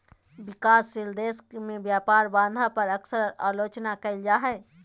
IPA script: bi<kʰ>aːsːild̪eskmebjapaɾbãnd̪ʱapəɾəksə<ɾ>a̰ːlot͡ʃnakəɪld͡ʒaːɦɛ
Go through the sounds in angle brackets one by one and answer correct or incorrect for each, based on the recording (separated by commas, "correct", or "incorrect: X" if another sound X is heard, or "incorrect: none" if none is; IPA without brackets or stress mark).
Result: incorrect: k, correct